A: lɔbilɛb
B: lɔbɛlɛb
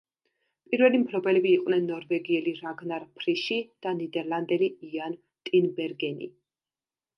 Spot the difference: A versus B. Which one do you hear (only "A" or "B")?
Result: B